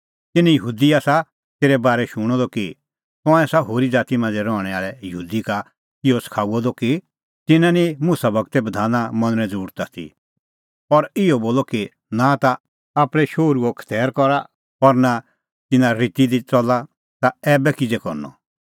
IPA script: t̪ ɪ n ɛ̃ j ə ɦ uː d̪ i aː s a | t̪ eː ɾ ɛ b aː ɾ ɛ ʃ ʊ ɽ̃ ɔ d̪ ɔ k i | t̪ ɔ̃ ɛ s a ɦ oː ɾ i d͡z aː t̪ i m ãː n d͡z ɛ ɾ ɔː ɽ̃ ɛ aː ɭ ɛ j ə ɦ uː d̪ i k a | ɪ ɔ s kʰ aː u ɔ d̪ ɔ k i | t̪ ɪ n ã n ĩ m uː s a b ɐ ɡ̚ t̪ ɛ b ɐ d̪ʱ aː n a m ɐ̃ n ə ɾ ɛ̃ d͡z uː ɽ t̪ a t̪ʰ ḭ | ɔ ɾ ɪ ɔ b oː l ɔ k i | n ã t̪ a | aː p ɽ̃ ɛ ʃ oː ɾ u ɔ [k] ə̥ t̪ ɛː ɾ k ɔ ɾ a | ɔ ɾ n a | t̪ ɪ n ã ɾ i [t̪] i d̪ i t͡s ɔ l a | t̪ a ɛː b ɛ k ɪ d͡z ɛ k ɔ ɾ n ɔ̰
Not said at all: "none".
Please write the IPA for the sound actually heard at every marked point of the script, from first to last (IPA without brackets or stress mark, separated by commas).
kʰ, t̪